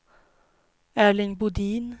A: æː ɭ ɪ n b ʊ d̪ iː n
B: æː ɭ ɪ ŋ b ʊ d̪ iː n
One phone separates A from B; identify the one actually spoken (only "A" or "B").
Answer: B